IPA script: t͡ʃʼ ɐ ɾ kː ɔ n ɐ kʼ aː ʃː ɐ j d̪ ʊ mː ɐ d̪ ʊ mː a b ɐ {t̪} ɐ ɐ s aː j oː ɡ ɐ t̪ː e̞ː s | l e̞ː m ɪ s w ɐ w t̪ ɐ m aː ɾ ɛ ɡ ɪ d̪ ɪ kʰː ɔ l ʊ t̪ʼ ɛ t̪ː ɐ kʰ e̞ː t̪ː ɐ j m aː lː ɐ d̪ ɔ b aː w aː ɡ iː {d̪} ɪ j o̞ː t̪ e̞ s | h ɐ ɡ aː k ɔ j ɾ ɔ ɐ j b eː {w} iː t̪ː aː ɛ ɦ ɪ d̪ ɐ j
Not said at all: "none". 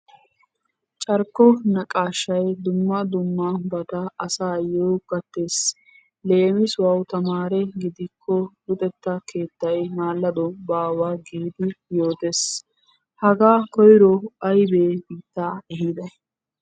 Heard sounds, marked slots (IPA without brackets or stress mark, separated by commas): t̪, d̪, b